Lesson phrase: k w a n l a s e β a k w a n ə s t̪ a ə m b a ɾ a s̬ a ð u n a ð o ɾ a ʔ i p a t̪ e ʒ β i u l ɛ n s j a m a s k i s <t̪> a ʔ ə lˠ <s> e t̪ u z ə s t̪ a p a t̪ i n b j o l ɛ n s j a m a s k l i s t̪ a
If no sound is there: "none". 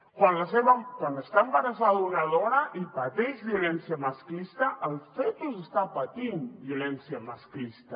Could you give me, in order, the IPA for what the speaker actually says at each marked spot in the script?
t̪, f

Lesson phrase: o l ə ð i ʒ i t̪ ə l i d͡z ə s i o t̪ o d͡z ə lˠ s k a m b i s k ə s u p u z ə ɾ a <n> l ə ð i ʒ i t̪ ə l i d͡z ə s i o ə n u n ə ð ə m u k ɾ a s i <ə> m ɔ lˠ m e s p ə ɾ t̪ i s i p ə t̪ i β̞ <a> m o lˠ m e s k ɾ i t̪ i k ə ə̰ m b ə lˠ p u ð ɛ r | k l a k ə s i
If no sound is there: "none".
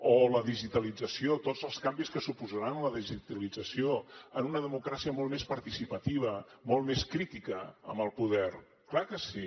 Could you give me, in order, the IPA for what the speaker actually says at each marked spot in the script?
n, ə, ə

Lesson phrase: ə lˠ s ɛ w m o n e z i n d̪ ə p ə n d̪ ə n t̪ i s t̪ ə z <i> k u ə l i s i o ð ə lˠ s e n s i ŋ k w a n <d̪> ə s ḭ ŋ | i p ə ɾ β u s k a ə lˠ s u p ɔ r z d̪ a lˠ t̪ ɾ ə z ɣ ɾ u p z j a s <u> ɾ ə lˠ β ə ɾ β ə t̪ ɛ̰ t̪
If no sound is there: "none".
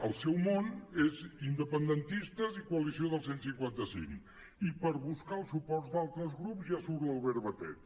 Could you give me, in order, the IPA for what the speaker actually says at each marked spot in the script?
i, t̪, u

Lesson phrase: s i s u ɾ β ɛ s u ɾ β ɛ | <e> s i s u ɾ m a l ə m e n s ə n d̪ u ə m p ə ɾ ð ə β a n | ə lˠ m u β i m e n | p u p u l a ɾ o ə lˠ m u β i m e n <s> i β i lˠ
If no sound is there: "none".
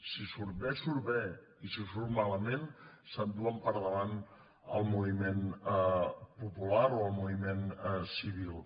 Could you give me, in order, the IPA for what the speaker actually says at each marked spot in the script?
i, s

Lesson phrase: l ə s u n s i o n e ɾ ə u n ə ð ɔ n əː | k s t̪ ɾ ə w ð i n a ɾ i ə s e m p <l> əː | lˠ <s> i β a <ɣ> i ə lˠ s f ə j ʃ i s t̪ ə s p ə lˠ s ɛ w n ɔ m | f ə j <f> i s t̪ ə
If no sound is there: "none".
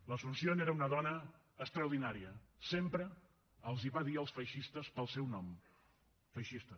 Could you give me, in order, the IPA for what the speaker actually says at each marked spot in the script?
ɾ, z, ð, ʃ

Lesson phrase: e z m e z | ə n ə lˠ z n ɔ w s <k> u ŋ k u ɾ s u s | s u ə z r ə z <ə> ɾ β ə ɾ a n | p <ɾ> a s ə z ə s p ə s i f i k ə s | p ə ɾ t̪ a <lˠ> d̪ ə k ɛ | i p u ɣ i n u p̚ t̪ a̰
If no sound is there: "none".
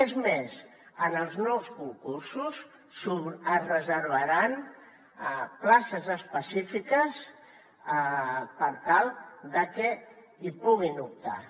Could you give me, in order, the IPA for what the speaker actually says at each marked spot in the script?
k, ə, l, lˠ

